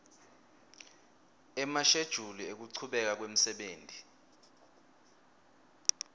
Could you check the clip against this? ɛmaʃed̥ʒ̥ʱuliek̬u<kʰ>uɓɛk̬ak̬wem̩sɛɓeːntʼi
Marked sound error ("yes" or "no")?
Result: yes